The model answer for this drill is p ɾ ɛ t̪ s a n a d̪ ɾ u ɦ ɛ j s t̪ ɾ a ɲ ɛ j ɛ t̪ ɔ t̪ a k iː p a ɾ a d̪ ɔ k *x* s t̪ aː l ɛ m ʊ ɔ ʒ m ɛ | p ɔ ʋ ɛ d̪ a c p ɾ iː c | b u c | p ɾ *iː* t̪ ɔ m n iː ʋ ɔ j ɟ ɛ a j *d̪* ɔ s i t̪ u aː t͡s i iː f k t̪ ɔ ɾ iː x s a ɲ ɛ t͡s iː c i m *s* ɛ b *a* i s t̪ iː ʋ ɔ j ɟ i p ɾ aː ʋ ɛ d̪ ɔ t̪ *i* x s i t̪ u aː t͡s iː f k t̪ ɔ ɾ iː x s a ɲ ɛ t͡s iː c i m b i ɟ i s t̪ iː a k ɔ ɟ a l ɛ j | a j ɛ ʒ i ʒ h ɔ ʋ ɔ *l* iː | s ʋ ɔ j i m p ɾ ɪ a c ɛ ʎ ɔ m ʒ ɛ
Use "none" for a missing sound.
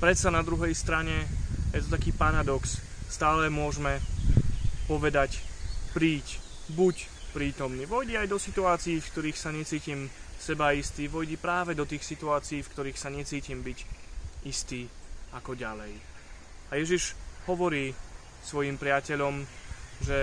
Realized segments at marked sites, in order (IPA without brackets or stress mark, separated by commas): s, iː, d̪, s, a, iː, ɾ